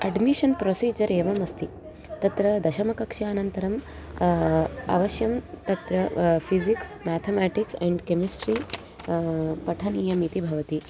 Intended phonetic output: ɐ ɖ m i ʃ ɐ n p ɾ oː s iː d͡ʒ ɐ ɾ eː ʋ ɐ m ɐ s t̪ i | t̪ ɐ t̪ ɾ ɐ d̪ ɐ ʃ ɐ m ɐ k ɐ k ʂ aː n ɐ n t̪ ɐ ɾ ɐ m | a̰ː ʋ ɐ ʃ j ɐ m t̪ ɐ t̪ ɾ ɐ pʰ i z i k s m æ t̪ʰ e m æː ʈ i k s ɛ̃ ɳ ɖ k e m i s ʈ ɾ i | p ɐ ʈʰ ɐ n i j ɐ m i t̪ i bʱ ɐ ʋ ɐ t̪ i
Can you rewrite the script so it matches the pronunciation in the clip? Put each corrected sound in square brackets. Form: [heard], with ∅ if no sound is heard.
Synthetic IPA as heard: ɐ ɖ m i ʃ ɐ n p ɾ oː s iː d͡ʒ ɐ ɾ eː ʋ ɐ m ɐ s t̪ i | t̪ ɐ t̪ ɾ ɐ d̪ ɐ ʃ ɐ m ɐ k ɐ k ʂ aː n ɐ n t̪ ɐ ɾ ɐ m | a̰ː ʋ ɐ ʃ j ɐ m t̪ ɐ t̪ ɾ ɐ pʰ i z i k s m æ t̪ʰ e m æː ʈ i k s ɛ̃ ɳ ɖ k e m i s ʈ ɾ i | p ɐ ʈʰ ɐ n i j ɐ m i t̪ i bʱ ɐ ʋ ɐ t̪ i